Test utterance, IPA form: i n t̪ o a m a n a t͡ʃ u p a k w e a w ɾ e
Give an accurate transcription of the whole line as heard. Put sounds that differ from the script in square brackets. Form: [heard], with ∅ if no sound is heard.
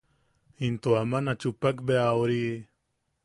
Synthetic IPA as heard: i n t̪ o a m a n a t͡ʃ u p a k [b] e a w ɾ [i]